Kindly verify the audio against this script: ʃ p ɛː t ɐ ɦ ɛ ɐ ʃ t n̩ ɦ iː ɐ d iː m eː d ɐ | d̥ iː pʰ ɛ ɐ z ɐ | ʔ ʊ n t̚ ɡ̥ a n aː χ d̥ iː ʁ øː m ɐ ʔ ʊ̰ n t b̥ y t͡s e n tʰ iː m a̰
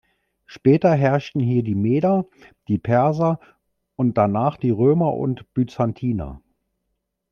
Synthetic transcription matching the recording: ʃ p ɛː t ɐ ɦ ɛ ɐ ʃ t n̩ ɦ iː ɐ d iː m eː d ɐ | d̥ iː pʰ ɛ ɐ z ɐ | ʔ ʊ n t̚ d̥ a n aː χ d̥ iː ʁ øː m ɐ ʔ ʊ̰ n t b̥ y t͡s a n tʰ iː n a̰

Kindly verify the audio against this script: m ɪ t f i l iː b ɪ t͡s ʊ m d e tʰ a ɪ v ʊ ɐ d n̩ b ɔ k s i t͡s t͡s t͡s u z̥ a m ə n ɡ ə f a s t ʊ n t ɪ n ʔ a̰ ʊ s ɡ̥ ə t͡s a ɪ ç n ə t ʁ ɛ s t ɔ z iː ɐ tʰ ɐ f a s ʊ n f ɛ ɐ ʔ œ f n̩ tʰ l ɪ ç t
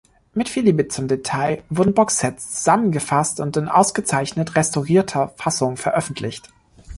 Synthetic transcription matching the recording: m ɪ t f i l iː b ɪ t͡s ʊ m d e tʰ a ɪ v ʊ ɐ d n̩ b ɔ k s ɛ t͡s t͡s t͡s u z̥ a m ə n ɡ ə f a s t ʊ n t ɪ n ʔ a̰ ʊ s ɡ̥ ə t͡s a ɪ ç n ə t ʁ ɛ s t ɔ ʁ iː ɐ tʰ ɐ f a s ʊ ŋ f ɛ ɐ ʔ œ f n̩ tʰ l ɪ ç t

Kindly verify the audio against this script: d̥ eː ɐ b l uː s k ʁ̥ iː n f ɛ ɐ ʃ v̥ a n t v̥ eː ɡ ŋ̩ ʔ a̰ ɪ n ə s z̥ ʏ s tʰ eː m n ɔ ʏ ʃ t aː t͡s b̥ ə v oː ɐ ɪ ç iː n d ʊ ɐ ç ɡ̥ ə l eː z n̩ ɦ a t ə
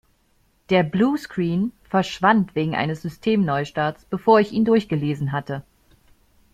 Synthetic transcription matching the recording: d̥ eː ɐ b l uː s k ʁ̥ iː n f ɛ ɐ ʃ v̥ a n t v̥ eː ɡ ŋ̩ ʔ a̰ ɪ n ə s z̥ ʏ s tʰ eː m n ɔ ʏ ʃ t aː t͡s b̥ ə f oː ɐ ɪ ç iː n d ʊ ɐ ç ɡ̥ ə l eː z n̩ ɦ a t ə

